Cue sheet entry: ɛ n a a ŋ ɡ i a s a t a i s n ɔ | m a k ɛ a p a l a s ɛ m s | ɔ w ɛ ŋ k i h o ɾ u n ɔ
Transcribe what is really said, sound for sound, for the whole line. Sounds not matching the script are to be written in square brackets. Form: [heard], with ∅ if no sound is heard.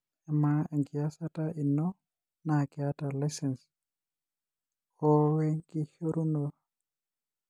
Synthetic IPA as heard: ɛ [m] a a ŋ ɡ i a s a t a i [∅] n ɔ | [n] a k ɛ a [t] a l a s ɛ [n] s | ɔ w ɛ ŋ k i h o ɾ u n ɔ